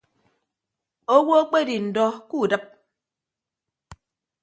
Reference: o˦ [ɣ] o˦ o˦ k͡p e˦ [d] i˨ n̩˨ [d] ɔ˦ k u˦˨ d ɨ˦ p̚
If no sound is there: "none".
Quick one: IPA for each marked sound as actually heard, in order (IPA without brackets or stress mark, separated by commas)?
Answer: w, d, d